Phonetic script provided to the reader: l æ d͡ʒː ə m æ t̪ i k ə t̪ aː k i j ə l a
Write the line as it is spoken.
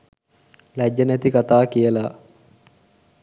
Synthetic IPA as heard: l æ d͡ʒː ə n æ t̪ i k a t̪ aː k i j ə l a